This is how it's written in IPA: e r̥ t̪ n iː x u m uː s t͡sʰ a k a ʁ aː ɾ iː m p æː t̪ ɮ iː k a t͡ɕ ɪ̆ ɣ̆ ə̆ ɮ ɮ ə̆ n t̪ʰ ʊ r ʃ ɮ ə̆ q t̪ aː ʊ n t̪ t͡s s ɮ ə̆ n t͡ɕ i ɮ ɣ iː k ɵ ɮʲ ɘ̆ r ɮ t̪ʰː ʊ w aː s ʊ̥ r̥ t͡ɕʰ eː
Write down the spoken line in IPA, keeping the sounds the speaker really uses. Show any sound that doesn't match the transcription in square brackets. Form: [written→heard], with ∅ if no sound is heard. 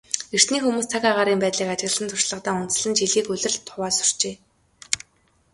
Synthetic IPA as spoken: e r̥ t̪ n iː x u m uː s t͡sʰ a k a ʁ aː ɾ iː m p æː t̪ ɮ iː k a t͡ɕ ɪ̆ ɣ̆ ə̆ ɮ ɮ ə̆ n t̪ʰ ʊ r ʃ ɮ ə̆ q t̪ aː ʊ n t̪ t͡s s ɮ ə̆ n t͡ɕ i ɮ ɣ iː k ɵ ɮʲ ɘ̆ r ɮ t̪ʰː ʊ w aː s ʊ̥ r̥ [t͡ɕʰ→t͡ɕ] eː